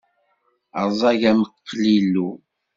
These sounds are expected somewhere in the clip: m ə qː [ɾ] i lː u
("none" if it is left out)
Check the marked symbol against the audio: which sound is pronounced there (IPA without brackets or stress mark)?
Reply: l